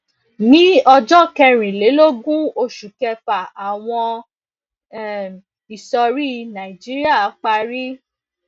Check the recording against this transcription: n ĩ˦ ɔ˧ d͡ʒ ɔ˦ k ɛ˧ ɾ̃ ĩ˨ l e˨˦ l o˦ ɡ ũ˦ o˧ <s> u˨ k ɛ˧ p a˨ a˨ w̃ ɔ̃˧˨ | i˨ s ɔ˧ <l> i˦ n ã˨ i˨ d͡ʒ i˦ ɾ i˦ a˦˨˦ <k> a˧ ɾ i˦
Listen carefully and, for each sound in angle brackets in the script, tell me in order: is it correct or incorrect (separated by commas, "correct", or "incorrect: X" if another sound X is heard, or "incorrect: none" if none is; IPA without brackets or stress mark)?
incorrect: ʃ, incorrect: ɾ, incorrect: k͡p